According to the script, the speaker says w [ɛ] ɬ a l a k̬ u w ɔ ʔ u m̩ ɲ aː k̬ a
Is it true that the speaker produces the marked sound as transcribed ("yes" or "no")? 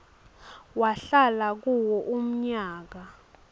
no